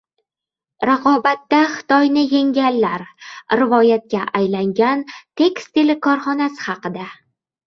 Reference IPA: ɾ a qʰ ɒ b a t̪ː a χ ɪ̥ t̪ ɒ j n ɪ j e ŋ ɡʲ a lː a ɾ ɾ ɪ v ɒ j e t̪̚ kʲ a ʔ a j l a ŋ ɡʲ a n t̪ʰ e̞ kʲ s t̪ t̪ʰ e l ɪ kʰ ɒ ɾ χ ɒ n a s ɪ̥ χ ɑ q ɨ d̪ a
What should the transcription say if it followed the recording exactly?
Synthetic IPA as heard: ɾ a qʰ ɒ b a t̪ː a χ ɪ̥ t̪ ɒ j n ɪ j e ŋ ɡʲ a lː a ɾ ɾ ɪ v ɒ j a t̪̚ kʲ a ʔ a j l a ŋ ɡʲ a n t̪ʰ e̞ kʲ s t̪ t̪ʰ e l ɪ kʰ ɒ ɾ χ ɒ n a s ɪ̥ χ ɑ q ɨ d̪ a